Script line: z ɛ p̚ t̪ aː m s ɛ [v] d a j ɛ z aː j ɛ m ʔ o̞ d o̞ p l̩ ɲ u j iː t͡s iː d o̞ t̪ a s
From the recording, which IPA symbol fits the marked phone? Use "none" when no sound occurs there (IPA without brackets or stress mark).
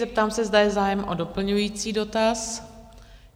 z